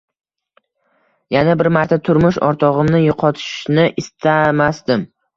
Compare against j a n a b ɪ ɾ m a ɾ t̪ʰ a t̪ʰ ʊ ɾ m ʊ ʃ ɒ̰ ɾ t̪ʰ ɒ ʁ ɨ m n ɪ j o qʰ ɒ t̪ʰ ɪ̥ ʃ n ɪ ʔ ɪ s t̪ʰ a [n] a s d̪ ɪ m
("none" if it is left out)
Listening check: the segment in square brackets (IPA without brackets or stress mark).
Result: m